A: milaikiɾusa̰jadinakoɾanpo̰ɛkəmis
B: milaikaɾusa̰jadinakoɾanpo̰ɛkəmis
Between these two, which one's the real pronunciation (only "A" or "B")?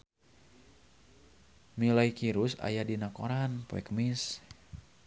A